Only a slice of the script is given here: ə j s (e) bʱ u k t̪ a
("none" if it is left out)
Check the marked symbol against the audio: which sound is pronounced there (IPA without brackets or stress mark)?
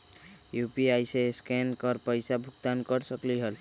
a